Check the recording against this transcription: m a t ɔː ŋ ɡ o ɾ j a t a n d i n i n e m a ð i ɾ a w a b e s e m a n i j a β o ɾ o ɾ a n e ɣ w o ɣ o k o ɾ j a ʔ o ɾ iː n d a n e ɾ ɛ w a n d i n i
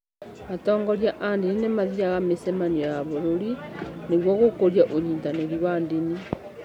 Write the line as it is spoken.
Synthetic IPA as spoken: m a t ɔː ŋ ɡ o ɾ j a ʔ a n d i n i n e m a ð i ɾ a ɣ a m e s e m a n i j a β o ɾ o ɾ i n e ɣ w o ɣ o k o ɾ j a ʔ o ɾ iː n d a n e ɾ i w a n d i n i